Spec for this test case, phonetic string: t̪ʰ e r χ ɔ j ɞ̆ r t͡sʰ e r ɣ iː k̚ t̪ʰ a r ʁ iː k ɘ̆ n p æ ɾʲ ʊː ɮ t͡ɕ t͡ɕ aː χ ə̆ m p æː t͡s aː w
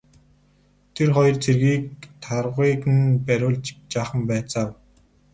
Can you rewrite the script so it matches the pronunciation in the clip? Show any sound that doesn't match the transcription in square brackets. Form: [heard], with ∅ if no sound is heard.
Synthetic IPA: t̪ʰ e r χ ɔ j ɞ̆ r t͡sʰ e r ɣ iː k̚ t̪ʰ a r ʁ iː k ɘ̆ n p æ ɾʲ ʊː ɮ t͡ɕ t͡ɕ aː χ ə̆ m p æː t͡s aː w